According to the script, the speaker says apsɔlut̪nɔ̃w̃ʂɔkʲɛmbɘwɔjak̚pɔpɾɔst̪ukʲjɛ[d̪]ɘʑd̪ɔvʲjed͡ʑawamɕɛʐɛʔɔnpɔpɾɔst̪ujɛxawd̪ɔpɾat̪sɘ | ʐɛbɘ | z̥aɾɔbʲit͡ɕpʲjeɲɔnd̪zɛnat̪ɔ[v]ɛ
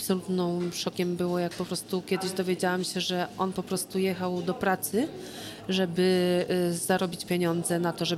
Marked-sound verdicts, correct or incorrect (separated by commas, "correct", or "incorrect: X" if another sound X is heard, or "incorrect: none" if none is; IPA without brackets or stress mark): correct, incorrect: ʐ